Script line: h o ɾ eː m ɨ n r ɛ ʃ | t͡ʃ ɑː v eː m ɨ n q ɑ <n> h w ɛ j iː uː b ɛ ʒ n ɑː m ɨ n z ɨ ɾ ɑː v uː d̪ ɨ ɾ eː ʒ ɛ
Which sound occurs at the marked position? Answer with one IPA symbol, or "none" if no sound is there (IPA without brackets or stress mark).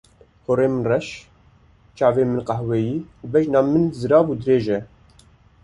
none